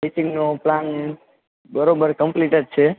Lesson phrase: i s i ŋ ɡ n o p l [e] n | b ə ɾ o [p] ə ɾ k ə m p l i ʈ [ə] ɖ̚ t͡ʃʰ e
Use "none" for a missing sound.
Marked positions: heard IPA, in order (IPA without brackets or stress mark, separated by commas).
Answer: a, b, ə